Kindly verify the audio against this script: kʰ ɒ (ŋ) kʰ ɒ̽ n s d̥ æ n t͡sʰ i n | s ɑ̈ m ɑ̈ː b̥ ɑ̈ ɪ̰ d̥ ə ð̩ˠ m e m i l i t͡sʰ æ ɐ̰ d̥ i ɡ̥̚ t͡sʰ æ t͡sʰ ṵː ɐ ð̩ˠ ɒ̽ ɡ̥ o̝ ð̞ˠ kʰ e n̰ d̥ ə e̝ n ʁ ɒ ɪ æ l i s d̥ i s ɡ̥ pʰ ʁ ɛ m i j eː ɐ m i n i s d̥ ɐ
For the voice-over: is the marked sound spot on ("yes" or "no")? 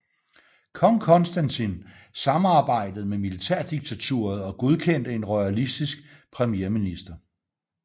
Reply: yes